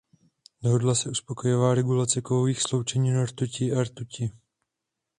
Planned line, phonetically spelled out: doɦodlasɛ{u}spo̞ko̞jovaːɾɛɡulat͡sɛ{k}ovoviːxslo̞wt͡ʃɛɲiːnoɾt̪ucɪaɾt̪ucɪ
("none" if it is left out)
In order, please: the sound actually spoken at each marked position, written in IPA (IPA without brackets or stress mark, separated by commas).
u, k